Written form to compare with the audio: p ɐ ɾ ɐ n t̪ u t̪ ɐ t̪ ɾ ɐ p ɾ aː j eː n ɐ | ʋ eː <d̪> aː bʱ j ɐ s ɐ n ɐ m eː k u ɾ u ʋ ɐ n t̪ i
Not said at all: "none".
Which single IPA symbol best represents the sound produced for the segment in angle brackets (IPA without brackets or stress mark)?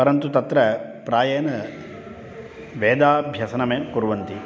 d̪